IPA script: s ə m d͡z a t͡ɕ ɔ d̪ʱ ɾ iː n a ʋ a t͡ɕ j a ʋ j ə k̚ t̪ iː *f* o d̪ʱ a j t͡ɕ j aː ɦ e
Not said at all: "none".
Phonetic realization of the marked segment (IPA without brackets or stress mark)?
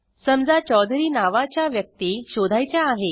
ɕ